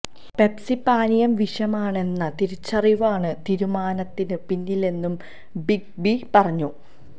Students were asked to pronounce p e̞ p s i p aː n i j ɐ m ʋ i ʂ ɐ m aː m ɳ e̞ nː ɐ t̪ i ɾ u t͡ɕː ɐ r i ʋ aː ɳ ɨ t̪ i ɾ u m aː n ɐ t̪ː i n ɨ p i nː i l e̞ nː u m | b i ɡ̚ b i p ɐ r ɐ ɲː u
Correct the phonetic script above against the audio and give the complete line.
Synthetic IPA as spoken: p e̞ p s i p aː n i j ɐ m ʋ i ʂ ɐ m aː ɳ e̞ nː ɐ t̪ i ɾ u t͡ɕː ɐ r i ʋ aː ɳ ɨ t̪ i ɾ u m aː n ɐ t̪ː i n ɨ p i nː i l e̞ nː u m | b i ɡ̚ b i p ɐ r ɐ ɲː u